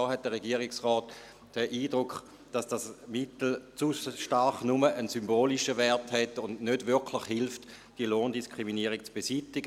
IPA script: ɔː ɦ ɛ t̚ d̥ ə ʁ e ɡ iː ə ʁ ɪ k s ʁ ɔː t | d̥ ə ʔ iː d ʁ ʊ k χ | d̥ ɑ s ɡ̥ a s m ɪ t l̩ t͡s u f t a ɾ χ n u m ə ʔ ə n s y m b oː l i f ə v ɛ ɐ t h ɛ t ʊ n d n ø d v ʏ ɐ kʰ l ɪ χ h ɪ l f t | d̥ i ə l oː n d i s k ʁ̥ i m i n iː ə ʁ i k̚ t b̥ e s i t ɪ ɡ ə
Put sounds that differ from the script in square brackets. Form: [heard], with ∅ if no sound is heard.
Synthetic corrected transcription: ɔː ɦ ɛ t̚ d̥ ə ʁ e ɡ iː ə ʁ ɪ k s ʁ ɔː t | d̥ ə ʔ iː d ʁ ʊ k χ | d̥ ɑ s [d̥] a s m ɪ t l̩ t͡s u [ʃ] t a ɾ χ n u m ə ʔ ə n s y m b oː l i [ʃ] ə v ɛ ɐ t h ɛ t ʊ n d n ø d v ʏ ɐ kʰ l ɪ χ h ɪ l f t | d̥ i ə l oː n d i s k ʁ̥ i m i n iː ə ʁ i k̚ [t͡s] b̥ e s i t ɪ ɡ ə